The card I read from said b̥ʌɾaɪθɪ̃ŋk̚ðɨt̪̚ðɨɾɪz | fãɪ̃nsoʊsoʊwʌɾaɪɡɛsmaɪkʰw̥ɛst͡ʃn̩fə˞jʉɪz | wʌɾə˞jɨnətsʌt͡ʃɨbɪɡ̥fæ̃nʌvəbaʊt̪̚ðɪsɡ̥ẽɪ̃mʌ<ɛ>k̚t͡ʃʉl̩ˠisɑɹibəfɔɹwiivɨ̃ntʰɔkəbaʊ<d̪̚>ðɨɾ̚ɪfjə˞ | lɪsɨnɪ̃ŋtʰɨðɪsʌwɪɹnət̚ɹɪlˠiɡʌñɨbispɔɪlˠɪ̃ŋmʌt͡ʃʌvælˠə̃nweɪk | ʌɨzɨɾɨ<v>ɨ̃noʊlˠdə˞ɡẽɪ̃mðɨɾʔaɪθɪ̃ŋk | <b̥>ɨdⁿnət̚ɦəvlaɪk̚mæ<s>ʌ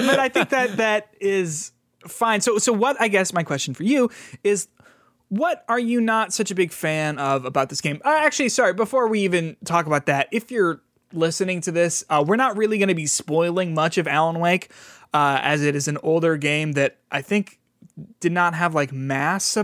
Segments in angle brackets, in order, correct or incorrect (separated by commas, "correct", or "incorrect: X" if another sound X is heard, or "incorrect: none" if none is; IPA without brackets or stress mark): incorrect: æ, incorrect: t̪̚, incorrect: z, incorrect: d̥, correct